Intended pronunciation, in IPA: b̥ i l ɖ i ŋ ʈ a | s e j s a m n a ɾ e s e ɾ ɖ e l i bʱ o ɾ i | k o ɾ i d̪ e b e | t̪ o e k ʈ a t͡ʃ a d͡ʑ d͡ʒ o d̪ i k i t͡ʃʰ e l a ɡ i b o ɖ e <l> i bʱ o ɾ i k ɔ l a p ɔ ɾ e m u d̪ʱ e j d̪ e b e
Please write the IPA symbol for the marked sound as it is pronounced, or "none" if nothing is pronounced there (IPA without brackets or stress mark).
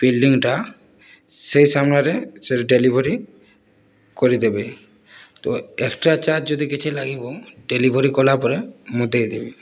l